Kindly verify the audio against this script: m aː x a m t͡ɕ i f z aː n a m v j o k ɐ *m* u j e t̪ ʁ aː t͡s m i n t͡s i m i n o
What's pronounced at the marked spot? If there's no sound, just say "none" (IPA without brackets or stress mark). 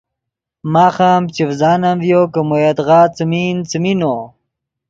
m